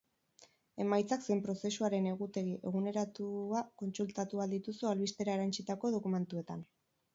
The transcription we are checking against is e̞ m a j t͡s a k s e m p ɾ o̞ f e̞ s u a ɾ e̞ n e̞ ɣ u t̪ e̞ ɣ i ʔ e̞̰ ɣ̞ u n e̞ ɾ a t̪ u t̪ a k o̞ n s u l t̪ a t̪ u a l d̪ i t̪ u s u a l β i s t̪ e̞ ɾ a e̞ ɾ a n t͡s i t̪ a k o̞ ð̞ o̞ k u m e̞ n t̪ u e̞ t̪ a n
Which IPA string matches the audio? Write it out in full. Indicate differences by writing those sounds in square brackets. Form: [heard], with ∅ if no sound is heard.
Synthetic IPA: e̞ m a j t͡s a k s e m p ɾ o̞ [s] e̞ s u a ɾ e̞ n e̞ ɣ u t̪ e̞ ɣ i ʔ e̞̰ ɣ̞ u n e̞ ɾ a t̪ u [∅] a k o̞ n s u l t̪ a t̪ u a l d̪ i t̪ u s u a l β i s t̪ e̞ ɾ a e̞ ɾ a n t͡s i t̪ a k o̞ ð̞ o̞ k u m e̞ n t̪ u e̞ t̪ a n